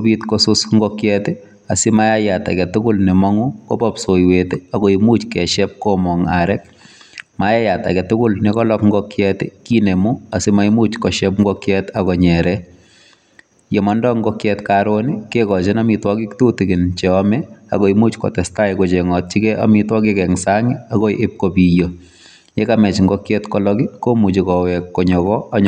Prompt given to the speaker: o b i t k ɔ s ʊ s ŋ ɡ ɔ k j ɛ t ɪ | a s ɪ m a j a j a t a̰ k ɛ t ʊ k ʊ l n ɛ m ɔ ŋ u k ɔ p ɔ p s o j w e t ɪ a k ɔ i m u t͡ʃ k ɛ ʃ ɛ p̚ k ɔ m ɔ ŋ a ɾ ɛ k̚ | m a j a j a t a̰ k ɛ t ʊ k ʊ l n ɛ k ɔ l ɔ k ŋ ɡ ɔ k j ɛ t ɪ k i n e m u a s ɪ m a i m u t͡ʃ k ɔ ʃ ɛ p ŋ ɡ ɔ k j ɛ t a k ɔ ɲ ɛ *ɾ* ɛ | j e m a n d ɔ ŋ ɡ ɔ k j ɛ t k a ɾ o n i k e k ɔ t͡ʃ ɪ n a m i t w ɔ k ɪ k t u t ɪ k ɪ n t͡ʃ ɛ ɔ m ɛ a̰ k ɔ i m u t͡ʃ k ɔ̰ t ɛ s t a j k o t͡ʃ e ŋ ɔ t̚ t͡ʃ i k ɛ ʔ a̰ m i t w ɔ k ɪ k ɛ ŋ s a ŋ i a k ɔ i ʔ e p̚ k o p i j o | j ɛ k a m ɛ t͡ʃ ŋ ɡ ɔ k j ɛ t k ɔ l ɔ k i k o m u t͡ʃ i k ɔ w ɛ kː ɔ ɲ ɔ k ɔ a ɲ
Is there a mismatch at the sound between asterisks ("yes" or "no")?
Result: no